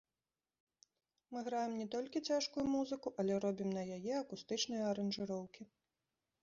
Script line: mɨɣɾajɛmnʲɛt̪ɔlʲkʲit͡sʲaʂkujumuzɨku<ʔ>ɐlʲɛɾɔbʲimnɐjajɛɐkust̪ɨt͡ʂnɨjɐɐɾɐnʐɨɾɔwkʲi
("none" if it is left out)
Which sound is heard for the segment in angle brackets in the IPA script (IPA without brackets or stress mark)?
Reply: ʔ